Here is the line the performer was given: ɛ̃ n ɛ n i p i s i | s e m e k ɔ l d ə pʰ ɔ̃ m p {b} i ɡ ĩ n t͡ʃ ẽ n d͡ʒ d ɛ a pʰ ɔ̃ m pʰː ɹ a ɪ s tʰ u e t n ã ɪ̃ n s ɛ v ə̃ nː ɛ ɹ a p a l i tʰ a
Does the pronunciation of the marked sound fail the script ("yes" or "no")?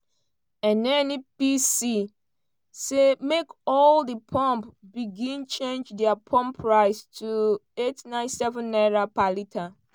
no